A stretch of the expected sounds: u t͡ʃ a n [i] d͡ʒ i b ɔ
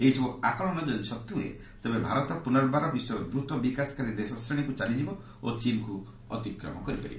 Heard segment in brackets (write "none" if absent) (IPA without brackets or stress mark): i